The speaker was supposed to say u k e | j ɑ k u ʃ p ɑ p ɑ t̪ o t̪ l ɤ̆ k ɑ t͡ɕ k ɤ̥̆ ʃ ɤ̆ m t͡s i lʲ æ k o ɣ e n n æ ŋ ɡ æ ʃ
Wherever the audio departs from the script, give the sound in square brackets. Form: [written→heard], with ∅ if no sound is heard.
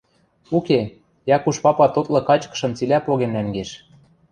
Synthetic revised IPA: u k e | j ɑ k u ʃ p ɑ p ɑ t̪ o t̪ l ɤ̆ k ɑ t͡ɕ k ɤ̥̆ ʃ ɤ̆ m t͡s i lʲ æ [k→p] o ɣ e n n æ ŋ ɡ [æ→e] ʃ